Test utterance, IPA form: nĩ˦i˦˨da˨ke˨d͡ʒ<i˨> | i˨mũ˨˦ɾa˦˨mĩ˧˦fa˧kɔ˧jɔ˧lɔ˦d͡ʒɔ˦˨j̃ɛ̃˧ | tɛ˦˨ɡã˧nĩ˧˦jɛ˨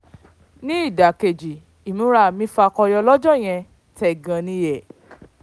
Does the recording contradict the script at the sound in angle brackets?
no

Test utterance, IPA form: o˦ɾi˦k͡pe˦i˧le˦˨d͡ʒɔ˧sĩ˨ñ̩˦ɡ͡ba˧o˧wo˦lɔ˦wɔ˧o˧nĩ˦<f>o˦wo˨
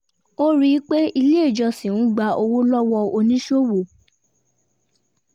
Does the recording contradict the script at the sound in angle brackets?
yes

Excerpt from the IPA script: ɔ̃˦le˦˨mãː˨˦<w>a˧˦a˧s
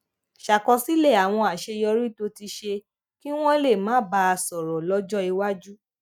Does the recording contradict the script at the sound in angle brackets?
yes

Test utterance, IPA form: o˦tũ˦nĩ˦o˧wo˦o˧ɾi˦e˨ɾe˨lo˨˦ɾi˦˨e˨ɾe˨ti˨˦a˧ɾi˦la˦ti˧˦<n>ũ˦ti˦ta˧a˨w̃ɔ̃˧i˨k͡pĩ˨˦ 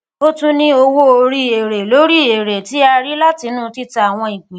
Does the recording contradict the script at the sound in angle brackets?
no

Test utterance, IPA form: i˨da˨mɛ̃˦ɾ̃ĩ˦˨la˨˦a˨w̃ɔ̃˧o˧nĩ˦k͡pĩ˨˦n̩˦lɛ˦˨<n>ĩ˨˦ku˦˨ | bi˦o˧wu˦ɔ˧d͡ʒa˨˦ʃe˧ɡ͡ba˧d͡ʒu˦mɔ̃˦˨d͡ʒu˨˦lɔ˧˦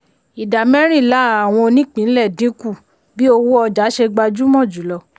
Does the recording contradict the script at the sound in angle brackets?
yes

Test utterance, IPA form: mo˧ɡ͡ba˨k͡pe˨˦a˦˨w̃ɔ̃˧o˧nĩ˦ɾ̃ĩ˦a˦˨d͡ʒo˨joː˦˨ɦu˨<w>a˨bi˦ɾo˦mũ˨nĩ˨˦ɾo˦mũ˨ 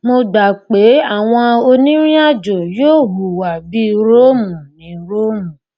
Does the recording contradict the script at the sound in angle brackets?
no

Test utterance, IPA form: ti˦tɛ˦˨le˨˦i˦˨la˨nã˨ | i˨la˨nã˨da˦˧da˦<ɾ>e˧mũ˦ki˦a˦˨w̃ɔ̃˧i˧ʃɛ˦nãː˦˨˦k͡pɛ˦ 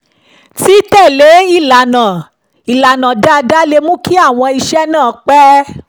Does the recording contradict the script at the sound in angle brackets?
yes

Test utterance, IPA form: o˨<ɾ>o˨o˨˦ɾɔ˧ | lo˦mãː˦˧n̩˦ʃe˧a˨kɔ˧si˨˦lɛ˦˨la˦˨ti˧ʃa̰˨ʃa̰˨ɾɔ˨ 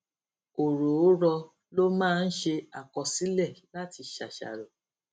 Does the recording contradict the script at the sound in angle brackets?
no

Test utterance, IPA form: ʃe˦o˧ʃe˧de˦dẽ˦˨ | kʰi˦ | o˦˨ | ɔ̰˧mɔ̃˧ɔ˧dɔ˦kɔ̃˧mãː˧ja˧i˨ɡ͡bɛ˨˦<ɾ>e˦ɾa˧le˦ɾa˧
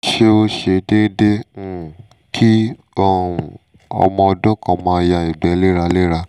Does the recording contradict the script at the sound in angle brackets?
yes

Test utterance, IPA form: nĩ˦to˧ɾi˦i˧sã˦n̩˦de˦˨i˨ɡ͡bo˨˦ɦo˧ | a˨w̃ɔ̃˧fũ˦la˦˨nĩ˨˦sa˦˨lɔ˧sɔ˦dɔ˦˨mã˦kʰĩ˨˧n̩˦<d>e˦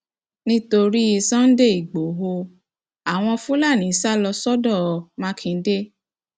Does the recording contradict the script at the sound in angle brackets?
no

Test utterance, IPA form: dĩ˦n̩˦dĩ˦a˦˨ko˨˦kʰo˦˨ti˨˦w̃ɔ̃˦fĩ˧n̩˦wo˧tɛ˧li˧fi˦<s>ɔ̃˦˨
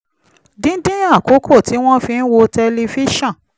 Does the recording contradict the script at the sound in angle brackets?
yes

